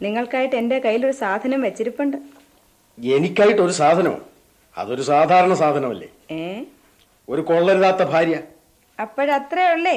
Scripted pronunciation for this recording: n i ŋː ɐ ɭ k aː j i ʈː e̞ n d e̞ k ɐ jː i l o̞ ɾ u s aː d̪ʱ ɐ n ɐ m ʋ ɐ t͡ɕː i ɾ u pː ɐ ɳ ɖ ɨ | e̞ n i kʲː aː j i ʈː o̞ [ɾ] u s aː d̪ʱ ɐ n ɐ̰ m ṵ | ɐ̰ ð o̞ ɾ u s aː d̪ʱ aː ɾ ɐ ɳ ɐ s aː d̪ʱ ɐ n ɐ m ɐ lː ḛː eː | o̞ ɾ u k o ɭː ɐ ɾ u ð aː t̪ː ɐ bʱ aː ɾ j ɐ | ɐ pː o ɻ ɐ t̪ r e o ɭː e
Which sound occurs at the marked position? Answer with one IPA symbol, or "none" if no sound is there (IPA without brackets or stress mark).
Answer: ɾ